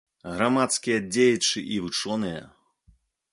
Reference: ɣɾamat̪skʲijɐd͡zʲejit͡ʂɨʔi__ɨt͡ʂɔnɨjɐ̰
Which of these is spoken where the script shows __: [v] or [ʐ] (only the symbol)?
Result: v